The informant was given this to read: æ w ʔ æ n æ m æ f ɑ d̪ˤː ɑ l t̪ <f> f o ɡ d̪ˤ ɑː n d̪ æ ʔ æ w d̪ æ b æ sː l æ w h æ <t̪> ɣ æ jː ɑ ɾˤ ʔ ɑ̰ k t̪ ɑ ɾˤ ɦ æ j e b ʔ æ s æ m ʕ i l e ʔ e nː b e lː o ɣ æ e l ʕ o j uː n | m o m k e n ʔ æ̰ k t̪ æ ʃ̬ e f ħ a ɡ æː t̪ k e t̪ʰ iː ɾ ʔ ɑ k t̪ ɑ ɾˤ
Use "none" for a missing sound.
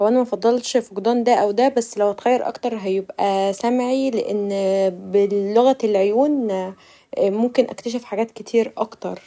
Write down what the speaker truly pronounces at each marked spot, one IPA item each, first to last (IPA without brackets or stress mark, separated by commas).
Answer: ʃ, t̪